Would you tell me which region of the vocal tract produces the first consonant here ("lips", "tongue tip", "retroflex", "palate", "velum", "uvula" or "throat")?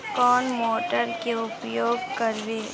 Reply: velum